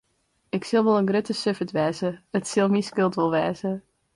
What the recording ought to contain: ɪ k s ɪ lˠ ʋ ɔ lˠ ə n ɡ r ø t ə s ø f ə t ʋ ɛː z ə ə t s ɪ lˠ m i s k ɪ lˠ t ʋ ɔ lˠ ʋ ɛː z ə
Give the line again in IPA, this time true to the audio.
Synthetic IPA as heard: ɪ k s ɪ lˠ ʋ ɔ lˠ ə n ɡ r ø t ə s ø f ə t ʋ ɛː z ə ə t s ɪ lˠ m i s k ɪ lˠ t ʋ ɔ lˠ ʋ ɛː z ə